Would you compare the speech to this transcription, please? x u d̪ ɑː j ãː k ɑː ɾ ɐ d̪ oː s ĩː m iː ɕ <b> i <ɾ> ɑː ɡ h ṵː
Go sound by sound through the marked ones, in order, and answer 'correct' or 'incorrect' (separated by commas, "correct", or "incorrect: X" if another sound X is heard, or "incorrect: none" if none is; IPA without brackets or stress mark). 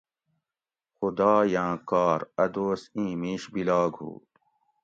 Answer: correct, incorrect: l